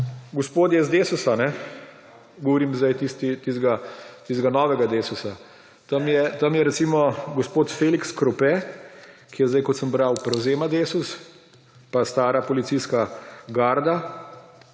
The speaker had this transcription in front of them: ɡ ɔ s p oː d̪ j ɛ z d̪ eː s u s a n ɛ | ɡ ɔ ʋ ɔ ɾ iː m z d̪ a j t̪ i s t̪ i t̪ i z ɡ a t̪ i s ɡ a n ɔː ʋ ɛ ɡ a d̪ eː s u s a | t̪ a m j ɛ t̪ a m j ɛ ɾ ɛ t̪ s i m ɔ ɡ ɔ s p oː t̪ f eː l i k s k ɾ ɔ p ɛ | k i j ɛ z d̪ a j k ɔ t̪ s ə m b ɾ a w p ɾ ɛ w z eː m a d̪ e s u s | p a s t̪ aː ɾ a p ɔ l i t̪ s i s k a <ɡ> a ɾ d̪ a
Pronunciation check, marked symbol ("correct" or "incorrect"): correct